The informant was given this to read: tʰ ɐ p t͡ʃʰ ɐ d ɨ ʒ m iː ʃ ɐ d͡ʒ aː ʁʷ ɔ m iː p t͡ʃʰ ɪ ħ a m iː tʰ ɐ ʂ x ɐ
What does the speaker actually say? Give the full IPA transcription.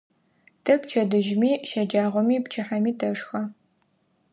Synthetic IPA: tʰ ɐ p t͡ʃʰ ɐ d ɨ ʒ m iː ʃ ɐ d͡ʒ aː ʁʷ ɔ m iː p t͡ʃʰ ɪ ħ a m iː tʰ ɐ ʂ x ɐ